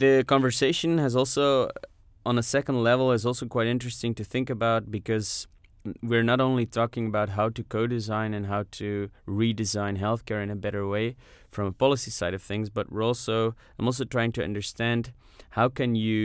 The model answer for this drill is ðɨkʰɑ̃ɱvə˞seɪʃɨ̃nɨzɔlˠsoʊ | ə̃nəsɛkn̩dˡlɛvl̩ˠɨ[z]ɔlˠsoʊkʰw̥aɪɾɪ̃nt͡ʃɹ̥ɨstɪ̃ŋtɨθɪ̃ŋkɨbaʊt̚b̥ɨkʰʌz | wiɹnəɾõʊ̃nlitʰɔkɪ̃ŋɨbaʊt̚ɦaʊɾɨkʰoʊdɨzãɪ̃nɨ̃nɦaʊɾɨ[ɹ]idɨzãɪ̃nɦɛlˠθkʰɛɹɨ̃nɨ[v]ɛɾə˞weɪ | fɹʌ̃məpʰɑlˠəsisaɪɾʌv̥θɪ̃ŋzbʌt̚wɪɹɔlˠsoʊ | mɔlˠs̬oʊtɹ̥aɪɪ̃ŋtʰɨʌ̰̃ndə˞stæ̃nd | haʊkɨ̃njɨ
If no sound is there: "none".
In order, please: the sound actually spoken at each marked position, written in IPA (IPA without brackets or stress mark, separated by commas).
z, ɹ, b